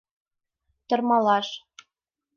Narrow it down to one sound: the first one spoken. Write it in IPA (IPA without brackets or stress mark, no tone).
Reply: t̪